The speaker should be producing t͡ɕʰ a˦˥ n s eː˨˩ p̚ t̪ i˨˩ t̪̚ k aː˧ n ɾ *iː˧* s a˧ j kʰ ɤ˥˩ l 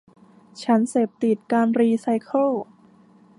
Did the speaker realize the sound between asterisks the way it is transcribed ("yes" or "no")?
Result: yes